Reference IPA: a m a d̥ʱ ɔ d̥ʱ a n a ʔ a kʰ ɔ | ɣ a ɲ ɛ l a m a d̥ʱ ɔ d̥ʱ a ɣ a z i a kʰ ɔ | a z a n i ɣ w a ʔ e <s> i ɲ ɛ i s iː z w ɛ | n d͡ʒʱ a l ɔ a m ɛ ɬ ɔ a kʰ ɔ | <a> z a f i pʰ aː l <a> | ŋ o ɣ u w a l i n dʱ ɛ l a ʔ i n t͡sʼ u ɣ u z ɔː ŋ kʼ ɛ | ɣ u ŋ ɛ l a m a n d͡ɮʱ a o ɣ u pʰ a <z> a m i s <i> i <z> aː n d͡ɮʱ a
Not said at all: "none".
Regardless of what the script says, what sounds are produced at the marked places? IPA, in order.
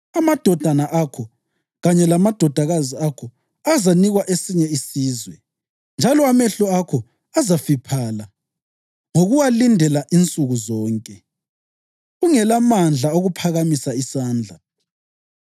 s, a, a, ɣ, a, s

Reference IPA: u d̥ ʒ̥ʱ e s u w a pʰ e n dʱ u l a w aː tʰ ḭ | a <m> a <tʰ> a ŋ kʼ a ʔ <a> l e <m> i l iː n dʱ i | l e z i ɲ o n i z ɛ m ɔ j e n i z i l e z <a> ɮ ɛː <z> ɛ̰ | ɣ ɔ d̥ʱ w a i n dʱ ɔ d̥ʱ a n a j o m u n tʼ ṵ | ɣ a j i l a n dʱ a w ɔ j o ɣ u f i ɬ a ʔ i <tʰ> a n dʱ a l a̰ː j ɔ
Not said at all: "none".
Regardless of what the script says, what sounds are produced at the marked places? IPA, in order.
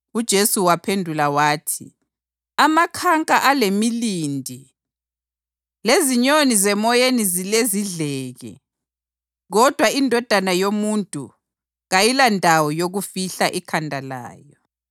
m, kʰ, a, m, i, ɣ, kʰ

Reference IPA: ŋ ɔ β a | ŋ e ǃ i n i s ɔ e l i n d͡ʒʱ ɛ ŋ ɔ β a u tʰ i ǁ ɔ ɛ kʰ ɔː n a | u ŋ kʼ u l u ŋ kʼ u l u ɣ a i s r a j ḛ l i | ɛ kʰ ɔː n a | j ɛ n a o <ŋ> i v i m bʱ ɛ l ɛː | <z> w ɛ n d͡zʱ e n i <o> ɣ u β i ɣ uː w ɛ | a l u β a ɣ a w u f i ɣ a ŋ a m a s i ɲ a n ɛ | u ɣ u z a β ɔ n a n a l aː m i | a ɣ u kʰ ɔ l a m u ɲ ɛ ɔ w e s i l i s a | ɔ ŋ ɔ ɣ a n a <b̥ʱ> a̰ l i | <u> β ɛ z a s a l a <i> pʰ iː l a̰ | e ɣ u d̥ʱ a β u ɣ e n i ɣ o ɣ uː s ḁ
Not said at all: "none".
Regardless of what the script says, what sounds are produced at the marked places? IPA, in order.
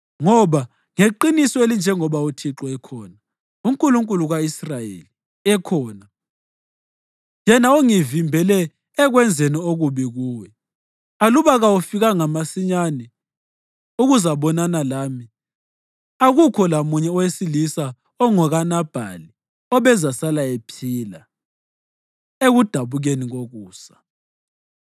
ŋ, ɣ, o, b̥ʱ, ɔ, e

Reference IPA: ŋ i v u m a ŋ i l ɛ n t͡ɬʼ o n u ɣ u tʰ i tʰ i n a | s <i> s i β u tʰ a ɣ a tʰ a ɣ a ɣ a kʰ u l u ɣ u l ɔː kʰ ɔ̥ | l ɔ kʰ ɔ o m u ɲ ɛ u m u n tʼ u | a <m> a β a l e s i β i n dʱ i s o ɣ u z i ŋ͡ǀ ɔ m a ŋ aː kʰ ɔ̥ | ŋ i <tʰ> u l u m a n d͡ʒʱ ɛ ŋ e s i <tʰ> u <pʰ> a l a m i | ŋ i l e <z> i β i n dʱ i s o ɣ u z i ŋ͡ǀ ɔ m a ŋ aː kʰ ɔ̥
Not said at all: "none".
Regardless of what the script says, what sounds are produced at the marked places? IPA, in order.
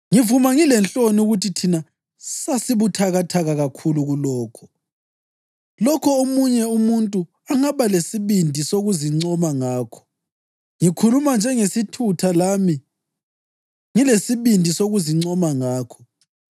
a, ŋ, kʰ, tʰ, tʰ, s

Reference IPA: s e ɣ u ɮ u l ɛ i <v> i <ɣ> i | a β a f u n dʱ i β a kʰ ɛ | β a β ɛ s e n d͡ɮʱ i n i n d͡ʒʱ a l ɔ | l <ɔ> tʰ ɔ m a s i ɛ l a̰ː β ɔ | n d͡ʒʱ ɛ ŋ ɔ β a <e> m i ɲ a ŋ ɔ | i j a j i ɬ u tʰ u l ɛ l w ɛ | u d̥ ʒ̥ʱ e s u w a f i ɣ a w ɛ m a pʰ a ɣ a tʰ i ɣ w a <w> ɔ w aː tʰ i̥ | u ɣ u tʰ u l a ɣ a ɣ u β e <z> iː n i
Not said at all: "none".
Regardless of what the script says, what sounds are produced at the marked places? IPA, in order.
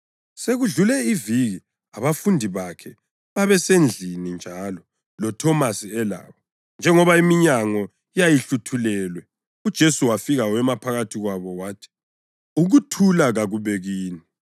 v, ɣ, ɔ, i, β, ɣ

